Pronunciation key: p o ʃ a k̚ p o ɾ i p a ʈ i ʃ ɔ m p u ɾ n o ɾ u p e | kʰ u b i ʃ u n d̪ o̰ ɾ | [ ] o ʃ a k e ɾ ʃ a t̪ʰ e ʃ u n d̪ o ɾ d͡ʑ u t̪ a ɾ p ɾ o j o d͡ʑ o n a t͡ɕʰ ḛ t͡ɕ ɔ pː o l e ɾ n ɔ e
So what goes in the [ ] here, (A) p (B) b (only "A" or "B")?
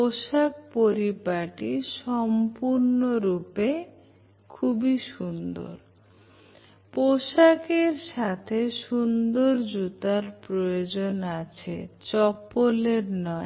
A